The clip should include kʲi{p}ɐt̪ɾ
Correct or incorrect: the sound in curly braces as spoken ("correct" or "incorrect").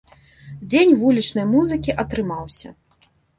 incorrect